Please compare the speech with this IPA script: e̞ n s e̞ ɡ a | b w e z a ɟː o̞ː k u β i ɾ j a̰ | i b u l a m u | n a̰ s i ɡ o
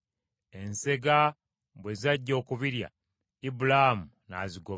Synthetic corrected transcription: e̞ n s e̞ ɡ a | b w e z a ɟː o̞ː k u β i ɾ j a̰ | i b u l a m u | n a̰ z i ɡ o